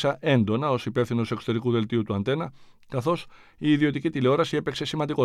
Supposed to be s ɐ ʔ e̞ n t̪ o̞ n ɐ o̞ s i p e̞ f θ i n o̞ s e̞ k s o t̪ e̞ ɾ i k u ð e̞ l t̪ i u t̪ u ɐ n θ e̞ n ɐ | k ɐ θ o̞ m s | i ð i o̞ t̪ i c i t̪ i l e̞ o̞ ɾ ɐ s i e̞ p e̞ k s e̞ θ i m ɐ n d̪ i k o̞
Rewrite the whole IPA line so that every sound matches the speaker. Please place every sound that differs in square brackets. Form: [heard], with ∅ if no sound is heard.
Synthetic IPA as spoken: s ɐ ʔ e̞ n [d̪] o̞ n ɐ o̞ s i p e̞ f θ i n o̞ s e̞ k s o t̪ e̞ ɾ i k u ð e̞ l t̪ i u t̪ u ɐ n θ e̞ n ɐ | k ɐ θ o̞ [∅] s | [iː] ð i o̞ t̪ i c i t̪ i l e̞ o̞ ɾ ɐ s i e̞ p e̞ k s e̞ [s] i m ɐ n d̪ i k o̞